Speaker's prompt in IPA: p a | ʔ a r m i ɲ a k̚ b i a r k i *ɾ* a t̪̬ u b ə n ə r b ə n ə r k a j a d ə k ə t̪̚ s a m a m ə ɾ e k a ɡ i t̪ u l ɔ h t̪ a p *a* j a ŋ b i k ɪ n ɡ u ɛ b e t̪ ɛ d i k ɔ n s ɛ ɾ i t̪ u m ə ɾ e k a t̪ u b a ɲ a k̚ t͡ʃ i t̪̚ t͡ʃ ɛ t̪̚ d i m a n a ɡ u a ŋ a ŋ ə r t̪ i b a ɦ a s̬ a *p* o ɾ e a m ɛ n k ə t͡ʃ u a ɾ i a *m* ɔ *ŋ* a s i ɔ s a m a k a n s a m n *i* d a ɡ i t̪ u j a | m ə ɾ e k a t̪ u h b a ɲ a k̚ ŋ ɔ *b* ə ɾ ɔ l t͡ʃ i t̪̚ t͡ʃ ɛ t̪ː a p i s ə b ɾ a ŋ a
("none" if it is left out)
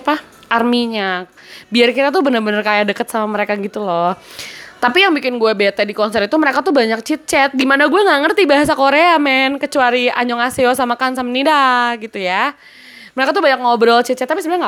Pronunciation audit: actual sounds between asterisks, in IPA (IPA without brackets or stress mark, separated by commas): ɾ, i, k, ɲ, ŋ, i, b